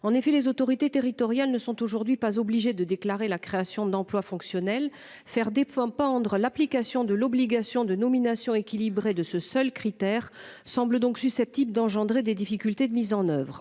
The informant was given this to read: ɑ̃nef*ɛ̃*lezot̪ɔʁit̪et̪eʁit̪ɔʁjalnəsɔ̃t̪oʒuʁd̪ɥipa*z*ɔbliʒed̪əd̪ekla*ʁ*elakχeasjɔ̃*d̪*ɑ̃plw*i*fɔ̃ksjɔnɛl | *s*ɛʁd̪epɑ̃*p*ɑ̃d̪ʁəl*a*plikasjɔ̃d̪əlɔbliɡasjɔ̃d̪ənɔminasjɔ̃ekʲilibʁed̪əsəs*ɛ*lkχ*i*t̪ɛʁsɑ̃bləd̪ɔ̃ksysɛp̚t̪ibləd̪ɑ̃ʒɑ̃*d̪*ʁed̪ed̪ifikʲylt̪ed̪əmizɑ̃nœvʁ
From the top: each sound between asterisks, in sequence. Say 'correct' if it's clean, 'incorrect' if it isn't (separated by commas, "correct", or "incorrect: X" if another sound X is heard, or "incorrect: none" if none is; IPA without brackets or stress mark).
incorrect: ɛ, correct, correct, correct, incorrect: a, incorrect: f, correct, correct, incorrect: œ, correct, correct